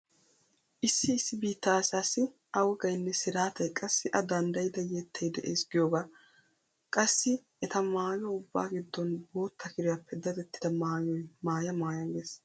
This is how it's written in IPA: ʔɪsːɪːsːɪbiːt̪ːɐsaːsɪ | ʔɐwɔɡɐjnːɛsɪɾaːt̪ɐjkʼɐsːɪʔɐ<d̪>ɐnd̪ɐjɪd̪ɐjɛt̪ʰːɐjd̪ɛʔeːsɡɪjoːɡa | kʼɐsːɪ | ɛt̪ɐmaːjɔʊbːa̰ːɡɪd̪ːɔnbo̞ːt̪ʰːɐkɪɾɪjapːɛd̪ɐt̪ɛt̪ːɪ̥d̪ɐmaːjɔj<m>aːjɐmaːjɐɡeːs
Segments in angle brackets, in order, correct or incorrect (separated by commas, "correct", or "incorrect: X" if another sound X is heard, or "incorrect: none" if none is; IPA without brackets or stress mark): correct, correct